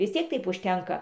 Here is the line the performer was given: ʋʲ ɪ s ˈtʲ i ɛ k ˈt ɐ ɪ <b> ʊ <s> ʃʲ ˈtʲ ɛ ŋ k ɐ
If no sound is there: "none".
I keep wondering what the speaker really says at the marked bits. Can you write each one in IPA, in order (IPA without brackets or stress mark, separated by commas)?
p, none